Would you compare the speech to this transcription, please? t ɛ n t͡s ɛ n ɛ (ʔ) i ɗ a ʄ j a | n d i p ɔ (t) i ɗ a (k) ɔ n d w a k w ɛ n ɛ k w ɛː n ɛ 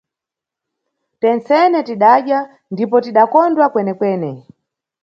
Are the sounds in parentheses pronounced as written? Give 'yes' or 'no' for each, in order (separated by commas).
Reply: no, yes, yes